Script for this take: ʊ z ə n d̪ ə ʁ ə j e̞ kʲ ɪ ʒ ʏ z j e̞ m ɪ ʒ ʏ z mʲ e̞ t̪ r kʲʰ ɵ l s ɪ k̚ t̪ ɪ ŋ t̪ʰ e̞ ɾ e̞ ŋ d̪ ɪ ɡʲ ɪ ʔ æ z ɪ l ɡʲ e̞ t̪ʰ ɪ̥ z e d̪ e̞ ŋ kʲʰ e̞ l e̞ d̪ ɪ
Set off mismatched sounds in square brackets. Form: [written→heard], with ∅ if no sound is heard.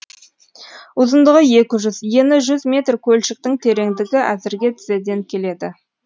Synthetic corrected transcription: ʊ z ə n d̪ ə ʁ ə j e̞ kʲ ɪ ʒ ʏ z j e̞ [m→n] ɪ ʒ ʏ z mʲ e̞ t̪ r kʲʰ ɵ l [s→ʃ] ɪ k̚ t̪ ɪ ŋ t̪ʰ e̞ ɾ e̞ ŋ d̪ ɪ ɡʲ ɪ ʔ æ z ɪ [l→ɾ] ɡʲ e̞ t̪ʰ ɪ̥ z e d̪ e̞ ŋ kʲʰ e̞ l e̞ d̪ ɪ

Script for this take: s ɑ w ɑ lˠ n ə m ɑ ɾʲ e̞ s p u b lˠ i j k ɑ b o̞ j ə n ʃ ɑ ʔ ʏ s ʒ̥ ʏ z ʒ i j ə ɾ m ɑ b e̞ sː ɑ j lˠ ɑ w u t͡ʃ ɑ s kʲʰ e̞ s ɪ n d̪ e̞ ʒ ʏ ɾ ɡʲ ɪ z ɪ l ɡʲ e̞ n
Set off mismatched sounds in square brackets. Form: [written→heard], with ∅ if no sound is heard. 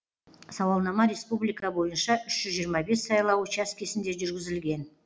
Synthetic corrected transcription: s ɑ w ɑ lˠ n [ə→ɑ] m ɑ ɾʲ e̞ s p u b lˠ i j k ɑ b o̞ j ə n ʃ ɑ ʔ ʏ [s→ʃ] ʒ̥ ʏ z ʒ i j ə ɾ m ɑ b e̞ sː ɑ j lˠ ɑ w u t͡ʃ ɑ s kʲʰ e̞ s ɪ n d̪ e̞ ʒ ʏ ɾ ɡʲ ɪ z ɪ l ɡʲ e̞ n

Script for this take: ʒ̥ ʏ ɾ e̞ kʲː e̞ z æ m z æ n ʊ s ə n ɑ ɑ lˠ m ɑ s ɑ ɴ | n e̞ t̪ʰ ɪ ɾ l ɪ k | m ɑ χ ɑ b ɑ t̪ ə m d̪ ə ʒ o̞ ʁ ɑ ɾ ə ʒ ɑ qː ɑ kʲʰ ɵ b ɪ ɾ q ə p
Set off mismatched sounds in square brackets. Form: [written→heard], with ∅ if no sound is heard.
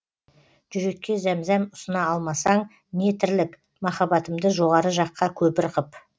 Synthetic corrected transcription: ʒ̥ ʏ ɾ e̞ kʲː e̞ z æ m z æ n ʊ s ə n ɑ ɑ lˠ m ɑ s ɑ ɴ | n e̞ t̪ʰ ɪ ɾ l ɪ k | m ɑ χ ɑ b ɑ t̪ ə m d̪ ə ʒ o̞ ʁ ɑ ɾ ə ʒ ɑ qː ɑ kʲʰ ɵ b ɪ ɾ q ə p

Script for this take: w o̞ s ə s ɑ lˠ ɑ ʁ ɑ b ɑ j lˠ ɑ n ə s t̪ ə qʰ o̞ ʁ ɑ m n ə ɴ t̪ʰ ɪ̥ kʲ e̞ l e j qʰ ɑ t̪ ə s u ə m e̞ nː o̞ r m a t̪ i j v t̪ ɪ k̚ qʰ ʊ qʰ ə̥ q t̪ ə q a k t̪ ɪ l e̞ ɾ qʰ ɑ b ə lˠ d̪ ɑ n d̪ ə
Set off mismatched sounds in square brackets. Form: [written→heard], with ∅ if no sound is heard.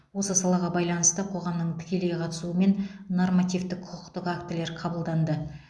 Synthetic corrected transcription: w o̞ s ə s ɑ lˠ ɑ ʁ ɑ b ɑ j lˠ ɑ n ə s t̪ ə qʰ o̞ ʁ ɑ m n ə ɴ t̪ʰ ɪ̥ kʲ e̞ l e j qʰ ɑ t̪ ə s u ə m e̞ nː o̞ r m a t̪ i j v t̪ ɪ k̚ qʰ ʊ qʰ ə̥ q t̪ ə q a k t̪ ɪ l e̞ ɾ qʰ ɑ b ə lˠ d̪ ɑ n d̪ ə

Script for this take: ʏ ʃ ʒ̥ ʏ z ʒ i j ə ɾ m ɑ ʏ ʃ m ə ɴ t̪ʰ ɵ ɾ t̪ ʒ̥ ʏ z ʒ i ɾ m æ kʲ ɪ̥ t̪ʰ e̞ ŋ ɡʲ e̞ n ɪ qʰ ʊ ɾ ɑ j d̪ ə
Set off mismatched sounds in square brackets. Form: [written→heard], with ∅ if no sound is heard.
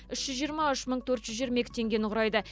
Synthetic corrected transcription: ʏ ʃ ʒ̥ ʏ z ʒ i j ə ɾ m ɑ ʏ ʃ m ə ɴ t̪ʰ ɵ ɾ t̪ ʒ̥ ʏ z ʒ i ɾ m [æ→e] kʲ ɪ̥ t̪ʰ e̞ ŋ ɡʲ e̞ n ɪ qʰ ʊ ɾ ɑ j d̪ ə

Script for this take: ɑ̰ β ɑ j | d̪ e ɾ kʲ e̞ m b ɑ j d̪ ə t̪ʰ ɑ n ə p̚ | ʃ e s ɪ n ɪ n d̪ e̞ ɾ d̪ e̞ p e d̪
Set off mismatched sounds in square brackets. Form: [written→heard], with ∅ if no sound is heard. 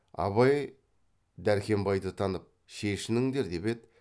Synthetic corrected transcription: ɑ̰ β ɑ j | d̪ [e→æ] ɾ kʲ e̞ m b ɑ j d̪ ə t̪ʰ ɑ n ə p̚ | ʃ e [s→ʃ] ɪ n ɪ [n→ŋ] d̪ e̞ ɾ d̪ e̞ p e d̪

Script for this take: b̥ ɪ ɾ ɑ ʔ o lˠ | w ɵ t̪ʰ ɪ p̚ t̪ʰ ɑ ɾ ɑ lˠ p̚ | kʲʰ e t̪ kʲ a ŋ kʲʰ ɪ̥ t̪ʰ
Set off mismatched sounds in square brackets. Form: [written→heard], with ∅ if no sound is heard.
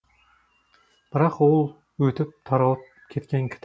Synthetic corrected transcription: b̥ ɪ ɾ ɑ [ʔ→q] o lˠ | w ɵ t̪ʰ ɪ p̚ t̪ʰ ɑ ɾ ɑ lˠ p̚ | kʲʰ e t̪ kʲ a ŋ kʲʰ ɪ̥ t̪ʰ

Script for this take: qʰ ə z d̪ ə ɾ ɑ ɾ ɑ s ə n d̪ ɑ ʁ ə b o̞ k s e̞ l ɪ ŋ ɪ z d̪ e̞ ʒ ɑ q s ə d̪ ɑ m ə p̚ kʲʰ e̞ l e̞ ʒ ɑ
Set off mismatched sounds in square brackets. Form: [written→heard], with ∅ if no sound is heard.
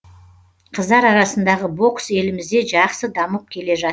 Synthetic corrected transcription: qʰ ə z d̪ [ə→ɑ] ɾ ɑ ɾ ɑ s ə n d̪ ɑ ʁ ə b o̞ k s e̞ l ɪ [ŋ→m] ɪ z d̪ e̞ ʒ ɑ q s ə d̪ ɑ m ə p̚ kʲʰ e̞ l e̞ ʒ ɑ

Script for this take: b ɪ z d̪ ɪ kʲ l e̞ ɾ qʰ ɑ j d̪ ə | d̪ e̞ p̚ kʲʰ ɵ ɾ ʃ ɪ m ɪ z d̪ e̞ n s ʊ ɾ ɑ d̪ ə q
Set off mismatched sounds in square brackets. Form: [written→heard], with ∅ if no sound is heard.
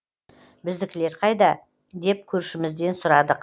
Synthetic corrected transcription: b ɪ z d̪ ɪ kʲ l e̞ ɾ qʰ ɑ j d̪ [ə→ɑ] | d̪ e̞ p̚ kʲʰ ɵ ɾ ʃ ɪ m ɪ z d̪ e̞ n s ʊ ɾ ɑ d̪ ə q

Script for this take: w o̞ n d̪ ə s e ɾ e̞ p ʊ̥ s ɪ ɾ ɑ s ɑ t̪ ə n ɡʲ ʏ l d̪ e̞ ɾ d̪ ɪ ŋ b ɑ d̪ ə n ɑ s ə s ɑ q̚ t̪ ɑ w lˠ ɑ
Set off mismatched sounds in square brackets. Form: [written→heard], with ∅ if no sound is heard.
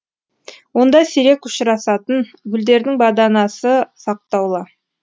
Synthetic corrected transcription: w o̞ n d̪ [ə→ɑ] s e ɾ e̞ [p→k] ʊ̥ [s→ʃ] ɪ ɾ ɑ s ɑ t̪ ə n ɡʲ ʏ l d̪ e̞ ɾ d̪ ɪ ŋ b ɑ d̪ [ə→ɑ] n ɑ s ə s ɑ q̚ t̪ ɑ w lˠ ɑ

